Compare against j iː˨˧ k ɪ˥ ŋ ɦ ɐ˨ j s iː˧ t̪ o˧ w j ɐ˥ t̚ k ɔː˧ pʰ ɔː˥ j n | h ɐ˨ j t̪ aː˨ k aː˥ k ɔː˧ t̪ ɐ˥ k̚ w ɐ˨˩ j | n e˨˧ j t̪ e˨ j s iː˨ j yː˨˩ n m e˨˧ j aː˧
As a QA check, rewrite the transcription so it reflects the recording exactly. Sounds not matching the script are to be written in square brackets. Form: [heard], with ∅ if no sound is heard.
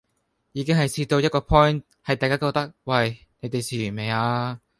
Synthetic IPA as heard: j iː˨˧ k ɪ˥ ŋ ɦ ɐ˨ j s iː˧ t̪ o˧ w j ɐ˥ t̚ k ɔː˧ pʰ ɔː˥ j n | h ɐ˨ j t̪ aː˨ k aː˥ k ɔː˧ t̪ ɐ˥ k̚ w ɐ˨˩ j | n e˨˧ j t̪ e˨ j s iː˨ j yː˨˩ n m e˨˧ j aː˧